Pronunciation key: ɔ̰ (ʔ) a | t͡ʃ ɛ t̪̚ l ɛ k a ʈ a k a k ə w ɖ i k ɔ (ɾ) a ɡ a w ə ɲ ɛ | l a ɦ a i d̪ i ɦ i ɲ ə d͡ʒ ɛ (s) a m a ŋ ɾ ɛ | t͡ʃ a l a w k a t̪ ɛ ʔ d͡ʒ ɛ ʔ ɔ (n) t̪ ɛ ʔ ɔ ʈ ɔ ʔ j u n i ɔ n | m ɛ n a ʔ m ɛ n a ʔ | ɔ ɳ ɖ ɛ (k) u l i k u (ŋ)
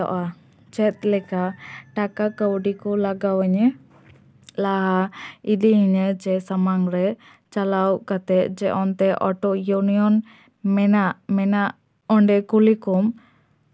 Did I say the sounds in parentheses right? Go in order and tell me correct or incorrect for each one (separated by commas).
correct, incorrect, correct, correct, correct, incorrect